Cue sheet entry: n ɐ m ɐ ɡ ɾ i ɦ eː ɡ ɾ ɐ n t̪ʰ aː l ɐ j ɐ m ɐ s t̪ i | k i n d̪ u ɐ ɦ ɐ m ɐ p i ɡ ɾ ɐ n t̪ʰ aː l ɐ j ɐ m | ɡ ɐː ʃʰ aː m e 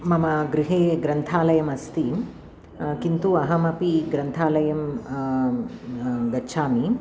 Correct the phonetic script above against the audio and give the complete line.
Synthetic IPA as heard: m ɐ m ɐ ɡ ɾ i ɦ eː ɡ ɾ ɐ n t̪ʰ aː l ɐ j ɐ m ɐ s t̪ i | k i n t̪ u ɐ ɦ ɐ m ɐ p i ɡ ɾ ɐ n t̪ʰ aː l ɐ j ɐ m | ɡ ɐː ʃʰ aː m i